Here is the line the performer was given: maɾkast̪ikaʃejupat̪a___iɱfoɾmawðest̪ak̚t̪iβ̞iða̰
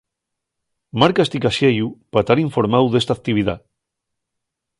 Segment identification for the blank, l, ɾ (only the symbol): ɾ